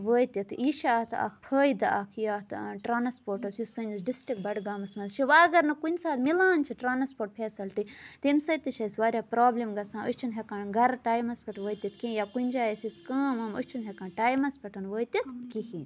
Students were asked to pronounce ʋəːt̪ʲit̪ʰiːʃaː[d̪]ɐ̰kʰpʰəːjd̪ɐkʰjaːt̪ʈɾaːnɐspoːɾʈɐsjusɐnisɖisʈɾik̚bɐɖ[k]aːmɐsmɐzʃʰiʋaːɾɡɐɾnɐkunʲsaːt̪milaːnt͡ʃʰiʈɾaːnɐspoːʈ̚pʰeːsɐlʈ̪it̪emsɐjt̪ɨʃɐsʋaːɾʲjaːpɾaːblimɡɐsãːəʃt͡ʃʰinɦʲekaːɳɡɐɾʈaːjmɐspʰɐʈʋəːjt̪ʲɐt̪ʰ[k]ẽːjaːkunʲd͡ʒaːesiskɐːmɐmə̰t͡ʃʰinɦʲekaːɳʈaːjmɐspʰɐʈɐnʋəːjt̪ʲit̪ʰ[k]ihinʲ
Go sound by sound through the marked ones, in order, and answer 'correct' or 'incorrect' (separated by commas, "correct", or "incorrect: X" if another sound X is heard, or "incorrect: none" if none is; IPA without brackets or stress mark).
incorrect: t̪, incorrect: ɡ, correct, correct